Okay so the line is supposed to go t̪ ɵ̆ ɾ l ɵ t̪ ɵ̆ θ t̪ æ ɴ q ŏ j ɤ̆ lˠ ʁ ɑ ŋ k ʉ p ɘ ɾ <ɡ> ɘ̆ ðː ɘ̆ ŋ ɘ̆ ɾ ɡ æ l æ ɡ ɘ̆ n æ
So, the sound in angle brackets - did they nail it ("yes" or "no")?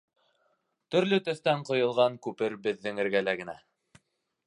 no